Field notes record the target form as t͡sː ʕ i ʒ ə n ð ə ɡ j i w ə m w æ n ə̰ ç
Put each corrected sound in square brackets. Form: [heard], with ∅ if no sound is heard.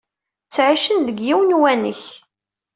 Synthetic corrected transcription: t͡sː ʕ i [ʃ] ə n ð ə ɡ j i w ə [n] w æ n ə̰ ç